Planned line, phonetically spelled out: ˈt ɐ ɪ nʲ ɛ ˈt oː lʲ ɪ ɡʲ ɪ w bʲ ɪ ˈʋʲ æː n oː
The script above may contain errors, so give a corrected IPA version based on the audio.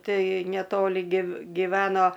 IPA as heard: ˈt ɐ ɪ nʲ ɛ ˈt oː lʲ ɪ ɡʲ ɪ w ɡʲ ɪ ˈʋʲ æː n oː